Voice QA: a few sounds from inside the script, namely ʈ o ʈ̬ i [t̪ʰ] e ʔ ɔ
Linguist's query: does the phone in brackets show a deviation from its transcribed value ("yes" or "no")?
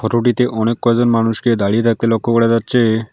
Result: yes